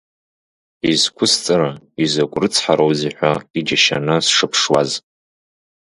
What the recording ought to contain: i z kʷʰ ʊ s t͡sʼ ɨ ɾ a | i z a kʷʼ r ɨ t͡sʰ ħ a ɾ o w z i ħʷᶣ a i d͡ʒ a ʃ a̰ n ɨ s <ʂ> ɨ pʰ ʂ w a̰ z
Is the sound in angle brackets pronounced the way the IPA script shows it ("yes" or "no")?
yes